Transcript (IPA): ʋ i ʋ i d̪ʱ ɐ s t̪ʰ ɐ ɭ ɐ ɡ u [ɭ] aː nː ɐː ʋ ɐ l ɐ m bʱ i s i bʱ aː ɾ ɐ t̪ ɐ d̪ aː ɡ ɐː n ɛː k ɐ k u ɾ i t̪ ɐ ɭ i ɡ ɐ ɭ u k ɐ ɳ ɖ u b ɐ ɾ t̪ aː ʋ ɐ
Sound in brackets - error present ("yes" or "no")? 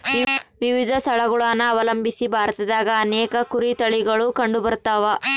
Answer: no